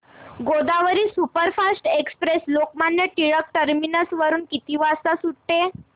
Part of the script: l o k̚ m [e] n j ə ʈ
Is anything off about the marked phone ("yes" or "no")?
yes